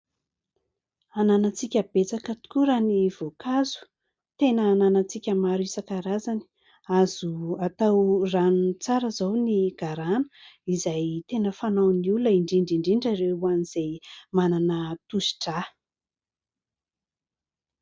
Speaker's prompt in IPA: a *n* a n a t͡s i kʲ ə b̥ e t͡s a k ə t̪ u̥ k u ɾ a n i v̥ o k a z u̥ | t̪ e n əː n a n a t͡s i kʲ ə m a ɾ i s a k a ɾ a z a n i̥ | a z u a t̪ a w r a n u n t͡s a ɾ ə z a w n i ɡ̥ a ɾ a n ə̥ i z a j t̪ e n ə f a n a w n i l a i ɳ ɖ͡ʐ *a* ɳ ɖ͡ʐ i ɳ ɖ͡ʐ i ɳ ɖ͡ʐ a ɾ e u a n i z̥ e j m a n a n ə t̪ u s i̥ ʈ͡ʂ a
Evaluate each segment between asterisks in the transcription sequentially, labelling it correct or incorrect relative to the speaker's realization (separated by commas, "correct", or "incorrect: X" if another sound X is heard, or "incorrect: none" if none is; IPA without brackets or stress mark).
correct, incorrect: i